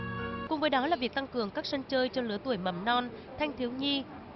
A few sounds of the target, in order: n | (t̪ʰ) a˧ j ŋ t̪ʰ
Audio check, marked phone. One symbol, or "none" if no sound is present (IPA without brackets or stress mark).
t̪ʰ